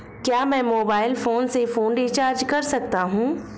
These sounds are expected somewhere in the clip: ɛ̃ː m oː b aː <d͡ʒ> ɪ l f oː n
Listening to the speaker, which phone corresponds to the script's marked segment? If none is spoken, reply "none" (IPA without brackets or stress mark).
none